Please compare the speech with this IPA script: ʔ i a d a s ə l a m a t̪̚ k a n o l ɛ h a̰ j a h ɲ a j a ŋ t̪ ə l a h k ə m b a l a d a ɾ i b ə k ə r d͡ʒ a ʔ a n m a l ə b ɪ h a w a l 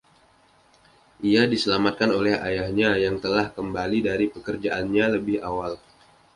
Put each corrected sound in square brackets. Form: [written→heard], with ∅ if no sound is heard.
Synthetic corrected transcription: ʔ i a d [a→i] s ə l a m a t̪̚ k a n o l ɛ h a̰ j a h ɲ a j a ŋ t̪ ə l a h k ə m b a l [a→i] d a ɾ i [b→p] ə k ə r d͡ʒ a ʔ a n [m→ɲ] a l ə b ɪ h a w a l